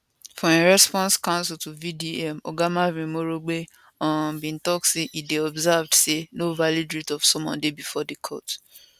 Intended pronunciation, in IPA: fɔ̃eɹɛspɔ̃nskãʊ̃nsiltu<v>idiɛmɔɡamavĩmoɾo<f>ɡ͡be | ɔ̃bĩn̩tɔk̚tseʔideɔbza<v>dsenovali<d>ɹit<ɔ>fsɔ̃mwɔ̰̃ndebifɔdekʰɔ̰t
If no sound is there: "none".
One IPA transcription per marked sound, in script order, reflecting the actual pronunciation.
v, none, v, d, ɔ

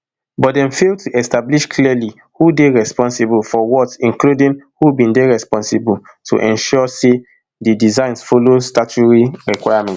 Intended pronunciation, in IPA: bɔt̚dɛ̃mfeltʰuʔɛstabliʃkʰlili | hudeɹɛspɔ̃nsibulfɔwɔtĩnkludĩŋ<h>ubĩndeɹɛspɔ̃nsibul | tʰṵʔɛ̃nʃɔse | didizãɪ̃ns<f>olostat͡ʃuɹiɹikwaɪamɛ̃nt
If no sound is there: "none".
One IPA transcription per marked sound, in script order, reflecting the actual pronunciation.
h, f

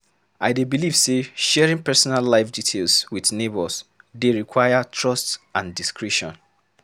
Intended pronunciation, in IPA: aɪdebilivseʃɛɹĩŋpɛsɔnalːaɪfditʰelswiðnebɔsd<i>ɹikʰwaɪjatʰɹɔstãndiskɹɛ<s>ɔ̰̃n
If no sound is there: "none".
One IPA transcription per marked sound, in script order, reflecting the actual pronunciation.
e, ʃ

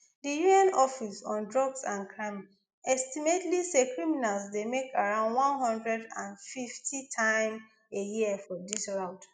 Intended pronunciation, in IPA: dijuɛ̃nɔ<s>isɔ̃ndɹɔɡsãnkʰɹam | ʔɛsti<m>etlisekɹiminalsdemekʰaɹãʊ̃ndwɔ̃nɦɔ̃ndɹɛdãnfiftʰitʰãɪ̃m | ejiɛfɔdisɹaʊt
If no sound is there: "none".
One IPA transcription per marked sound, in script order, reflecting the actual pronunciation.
f, m

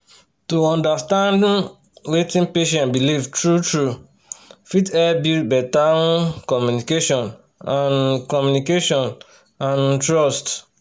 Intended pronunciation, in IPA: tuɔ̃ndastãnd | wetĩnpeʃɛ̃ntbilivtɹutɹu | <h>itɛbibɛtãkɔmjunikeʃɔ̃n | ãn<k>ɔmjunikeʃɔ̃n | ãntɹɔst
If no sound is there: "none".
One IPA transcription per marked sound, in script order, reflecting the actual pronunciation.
f, k

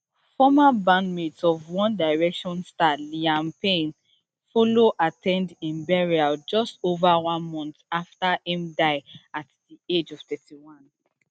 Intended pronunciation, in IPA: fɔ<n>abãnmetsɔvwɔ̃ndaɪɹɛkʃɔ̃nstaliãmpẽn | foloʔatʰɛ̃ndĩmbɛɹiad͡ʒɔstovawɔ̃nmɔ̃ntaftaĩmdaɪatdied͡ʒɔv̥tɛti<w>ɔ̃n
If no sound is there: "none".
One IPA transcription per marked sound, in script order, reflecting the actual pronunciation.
m, w

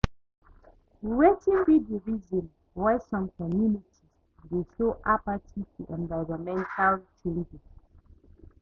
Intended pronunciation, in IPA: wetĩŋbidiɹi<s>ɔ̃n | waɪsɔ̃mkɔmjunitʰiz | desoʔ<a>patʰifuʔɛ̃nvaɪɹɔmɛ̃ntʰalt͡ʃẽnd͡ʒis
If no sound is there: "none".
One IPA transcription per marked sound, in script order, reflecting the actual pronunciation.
z, a

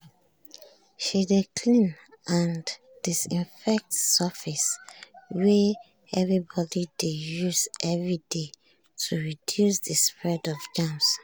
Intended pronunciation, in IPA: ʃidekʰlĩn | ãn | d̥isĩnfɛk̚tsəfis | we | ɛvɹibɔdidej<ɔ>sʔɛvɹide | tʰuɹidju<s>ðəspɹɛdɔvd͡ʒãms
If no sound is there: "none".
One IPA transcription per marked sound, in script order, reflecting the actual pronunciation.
u, s

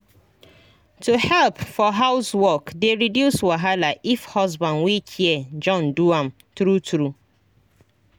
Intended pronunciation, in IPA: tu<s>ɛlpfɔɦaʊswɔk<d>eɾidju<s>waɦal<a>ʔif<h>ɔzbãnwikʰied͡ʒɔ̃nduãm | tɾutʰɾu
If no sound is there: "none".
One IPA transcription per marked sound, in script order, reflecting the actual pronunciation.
h, d, s, a, h

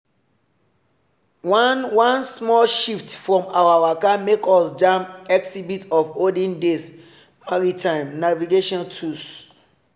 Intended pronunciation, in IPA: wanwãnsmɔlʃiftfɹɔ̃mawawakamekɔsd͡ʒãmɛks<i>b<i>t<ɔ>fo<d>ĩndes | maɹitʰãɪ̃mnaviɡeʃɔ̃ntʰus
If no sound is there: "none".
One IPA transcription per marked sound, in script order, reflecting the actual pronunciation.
i, i, ɔ, d

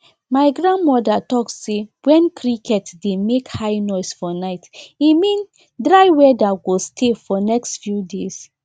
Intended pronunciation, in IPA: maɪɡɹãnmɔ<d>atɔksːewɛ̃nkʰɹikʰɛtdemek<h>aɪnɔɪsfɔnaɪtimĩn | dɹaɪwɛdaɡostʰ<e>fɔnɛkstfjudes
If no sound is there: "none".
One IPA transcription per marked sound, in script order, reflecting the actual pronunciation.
d, h, e

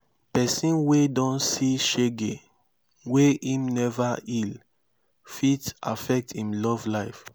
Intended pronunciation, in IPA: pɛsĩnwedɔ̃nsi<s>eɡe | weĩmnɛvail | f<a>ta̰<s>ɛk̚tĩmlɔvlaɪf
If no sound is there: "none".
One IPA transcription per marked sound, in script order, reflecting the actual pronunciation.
ʃ, i, f

